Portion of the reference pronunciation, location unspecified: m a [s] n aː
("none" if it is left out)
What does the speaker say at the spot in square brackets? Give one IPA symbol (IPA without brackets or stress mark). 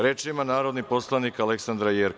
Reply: none